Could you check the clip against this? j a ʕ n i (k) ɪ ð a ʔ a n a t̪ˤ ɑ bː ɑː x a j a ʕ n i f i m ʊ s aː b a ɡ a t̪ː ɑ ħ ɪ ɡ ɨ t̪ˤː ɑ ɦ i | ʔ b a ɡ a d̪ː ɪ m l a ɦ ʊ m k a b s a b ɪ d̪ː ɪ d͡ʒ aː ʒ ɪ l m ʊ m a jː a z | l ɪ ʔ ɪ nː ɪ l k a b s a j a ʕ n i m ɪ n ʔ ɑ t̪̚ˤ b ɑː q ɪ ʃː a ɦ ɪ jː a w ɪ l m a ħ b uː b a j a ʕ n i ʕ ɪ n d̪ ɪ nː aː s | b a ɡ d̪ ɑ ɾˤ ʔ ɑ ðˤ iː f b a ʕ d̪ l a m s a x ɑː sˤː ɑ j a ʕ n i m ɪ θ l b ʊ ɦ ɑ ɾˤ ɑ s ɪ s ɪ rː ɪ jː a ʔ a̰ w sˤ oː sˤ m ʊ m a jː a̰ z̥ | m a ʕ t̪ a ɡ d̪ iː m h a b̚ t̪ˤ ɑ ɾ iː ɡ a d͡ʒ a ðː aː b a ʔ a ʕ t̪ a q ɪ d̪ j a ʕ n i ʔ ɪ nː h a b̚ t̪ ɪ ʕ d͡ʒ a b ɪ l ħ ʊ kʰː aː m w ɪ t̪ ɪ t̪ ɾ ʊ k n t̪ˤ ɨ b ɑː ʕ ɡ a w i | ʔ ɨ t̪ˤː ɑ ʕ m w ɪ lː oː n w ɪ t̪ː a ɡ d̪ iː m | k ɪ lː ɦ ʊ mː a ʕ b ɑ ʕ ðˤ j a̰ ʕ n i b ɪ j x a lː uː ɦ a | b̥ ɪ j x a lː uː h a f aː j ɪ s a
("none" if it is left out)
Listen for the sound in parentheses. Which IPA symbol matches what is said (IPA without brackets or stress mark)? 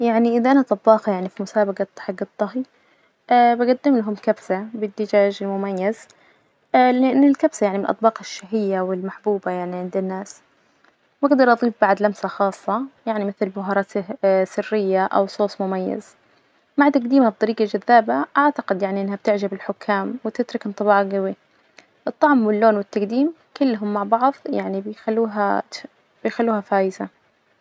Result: ʔ